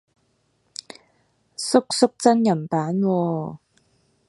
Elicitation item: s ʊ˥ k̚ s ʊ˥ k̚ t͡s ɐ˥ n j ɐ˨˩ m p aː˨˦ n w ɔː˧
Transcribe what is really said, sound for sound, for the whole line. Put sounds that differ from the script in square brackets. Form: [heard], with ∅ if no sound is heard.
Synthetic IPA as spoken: s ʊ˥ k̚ s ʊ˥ k̚ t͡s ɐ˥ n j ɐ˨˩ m p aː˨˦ n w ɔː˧